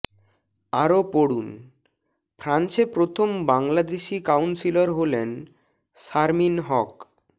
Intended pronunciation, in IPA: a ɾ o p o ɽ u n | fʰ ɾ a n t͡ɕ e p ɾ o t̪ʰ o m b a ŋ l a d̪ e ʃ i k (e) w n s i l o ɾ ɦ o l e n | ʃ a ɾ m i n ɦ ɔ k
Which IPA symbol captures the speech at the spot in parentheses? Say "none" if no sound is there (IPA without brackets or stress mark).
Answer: a